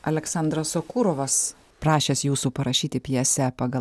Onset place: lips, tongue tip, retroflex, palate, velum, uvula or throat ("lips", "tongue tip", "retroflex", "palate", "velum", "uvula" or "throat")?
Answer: tongue tip